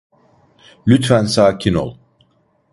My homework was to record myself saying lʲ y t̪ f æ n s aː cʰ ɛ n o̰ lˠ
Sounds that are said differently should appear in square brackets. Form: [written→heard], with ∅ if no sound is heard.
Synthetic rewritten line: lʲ y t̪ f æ n s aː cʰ [ɛ→i] n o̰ lˠ